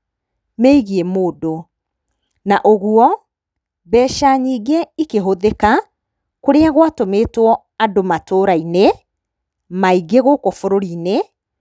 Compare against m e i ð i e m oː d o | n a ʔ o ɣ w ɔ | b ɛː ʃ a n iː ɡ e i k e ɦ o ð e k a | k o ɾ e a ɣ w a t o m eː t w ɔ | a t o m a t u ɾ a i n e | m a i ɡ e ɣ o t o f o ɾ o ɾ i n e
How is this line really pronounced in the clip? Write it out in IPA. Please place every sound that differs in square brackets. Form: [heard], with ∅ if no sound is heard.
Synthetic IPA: m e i [ɣ] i e m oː d o | n a ʔ o ɣ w ɔ | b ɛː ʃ a [ɲ] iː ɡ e i k e ɦ o ð e k a | k o ɾ e a ɣ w a t o m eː t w ɔ | a [d] o m a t [o] ɾ a i n e | m a i ɡ e ɣ o [k] o f o ɾ o ɾ i n e